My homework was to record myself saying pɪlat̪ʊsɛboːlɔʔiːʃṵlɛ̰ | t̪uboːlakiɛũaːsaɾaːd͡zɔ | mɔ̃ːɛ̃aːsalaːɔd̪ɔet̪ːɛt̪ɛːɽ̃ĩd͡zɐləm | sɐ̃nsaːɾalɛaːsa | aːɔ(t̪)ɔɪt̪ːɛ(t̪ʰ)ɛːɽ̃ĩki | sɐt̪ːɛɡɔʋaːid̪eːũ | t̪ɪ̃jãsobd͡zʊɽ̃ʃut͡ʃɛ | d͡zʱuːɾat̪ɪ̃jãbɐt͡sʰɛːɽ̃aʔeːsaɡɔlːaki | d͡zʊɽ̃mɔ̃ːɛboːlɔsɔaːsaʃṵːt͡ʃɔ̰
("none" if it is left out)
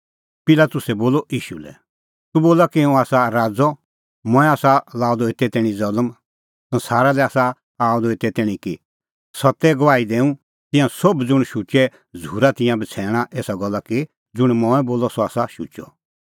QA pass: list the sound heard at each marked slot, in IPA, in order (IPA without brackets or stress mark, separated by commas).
d̪, t̪